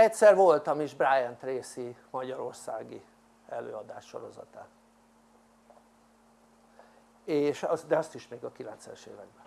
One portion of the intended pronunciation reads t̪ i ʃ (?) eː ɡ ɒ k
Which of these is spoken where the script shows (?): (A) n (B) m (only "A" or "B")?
B